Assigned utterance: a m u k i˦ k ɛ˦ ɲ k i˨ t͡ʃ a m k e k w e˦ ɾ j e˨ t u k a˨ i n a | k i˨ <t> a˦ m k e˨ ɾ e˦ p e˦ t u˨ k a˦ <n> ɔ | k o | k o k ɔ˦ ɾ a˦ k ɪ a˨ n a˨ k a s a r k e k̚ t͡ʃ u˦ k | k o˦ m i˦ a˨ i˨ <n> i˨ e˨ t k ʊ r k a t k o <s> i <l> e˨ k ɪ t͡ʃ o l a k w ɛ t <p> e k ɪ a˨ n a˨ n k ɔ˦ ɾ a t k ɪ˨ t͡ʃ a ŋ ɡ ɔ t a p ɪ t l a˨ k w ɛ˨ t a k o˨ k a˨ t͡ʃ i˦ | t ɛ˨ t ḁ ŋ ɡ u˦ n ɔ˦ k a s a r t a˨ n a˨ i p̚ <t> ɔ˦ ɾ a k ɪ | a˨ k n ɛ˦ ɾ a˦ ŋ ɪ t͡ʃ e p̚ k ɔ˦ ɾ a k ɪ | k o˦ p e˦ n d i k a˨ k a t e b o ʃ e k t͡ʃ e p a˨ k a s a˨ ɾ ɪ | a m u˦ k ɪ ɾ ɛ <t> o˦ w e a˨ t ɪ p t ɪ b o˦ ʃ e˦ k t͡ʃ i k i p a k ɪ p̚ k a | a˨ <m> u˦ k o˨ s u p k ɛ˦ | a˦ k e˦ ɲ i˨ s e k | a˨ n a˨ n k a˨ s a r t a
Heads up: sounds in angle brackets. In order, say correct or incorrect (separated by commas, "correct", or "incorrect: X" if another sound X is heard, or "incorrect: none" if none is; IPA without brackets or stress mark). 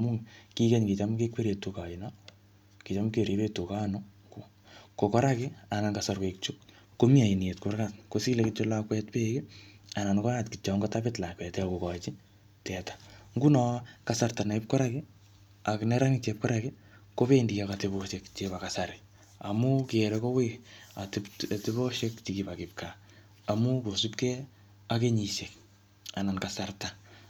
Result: incorrect: t͡ʃ, correct, correct, correct, correct, correct, incorrect: k, incorrect: k, correct